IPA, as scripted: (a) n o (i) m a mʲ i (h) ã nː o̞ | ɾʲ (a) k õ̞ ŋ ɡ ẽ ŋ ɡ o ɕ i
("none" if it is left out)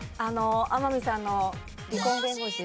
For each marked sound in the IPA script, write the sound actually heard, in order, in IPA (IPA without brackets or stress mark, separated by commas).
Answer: a, a, s, i